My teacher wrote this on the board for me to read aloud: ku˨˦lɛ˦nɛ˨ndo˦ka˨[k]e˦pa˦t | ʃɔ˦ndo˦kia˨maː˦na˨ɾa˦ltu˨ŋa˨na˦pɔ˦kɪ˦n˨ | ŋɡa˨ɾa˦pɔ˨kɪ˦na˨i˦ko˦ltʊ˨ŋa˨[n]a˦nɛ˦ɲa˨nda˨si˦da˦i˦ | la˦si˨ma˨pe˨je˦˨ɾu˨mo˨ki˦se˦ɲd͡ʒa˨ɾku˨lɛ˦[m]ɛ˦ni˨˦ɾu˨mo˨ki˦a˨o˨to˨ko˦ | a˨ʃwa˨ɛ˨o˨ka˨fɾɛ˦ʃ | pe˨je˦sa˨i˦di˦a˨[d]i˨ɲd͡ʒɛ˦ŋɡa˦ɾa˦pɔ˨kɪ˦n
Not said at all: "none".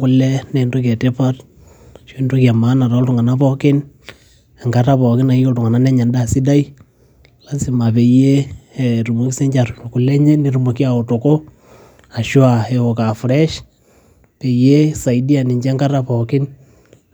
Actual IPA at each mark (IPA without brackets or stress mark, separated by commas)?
t, n, ɲ, n